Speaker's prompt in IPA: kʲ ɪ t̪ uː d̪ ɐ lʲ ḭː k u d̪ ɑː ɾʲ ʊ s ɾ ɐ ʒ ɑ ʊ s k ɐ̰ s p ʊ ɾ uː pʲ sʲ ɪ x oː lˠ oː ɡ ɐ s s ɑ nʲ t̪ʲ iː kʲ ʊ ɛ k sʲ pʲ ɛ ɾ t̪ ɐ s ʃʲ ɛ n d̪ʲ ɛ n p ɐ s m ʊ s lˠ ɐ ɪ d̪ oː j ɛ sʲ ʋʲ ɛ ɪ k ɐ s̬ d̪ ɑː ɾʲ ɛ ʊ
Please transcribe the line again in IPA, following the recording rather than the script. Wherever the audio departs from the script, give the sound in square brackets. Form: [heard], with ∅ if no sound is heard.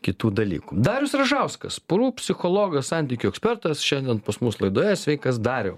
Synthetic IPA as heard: kʲ ɪ t̪ uː d̪ ɐ lʲ ḭː k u d̪ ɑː ɾʲ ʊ s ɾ ɐ ʒ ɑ ʊ s k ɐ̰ s p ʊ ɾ uː pʲ sʲ ɪ x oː lˠ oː ɡ ɐ s s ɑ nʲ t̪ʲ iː kʲ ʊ ɛ k sʲ pʲ ɛ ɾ t̪ ɐ s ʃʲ ɛ n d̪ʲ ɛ n p ɐ s m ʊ s lˠ ɐ ɪ d̪ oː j ɛ sʲ ʋʲ ɛ ɪ k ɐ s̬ d̪ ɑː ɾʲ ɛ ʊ